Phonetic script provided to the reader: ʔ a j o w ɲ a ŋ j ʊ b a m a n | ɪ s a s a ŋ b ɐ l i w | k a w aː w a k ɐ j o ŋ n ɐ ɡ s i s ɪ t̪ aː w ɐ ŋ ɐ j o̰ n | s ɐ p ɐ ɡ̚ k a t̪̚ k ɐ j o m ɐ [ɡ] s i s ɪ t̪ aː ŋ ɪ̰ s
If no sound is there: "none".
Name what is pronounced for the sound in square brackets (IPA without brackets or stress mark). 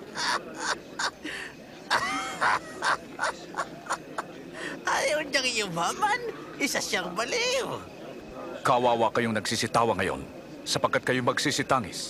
ɡ